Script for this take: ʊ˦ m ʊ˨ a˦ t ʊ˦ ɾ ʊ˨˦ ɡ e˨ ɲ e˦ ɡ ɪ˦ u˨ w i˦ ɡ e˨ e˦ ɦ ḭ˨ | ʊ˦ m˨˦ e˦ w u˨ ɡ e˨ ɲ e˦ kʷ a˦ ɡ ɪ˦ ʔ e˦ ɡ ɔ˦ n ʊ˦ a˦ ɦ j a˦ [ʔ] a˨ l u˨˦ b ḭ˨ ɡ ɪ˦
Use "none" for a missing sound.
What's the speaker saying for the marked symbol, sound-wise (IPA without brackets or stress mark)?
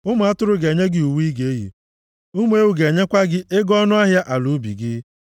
ʔ